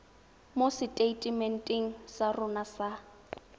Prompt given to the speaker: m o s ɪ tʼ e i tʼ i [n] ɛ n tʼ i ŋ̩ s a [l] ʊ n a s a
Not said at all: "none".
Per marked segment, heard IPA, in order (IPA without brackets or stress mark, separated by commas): m, r